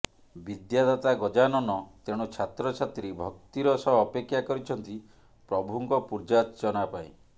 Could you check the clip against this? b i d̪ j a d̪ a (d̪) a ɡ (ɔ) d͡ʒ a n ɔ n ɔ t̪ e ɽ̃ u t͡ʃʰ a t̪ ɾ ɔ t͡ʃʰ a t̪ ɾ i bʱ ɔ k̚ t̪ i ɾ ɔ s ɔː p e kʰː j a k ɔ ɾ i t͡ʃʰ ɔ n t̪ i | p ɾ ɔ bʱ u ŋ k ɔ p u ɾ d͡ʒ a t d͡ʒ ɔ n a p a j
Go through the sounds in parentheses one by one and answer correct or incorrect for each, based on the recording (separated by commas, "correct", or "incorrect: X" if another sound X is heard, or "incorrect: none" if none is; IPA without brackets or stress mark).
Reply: incorrect: t̪, correct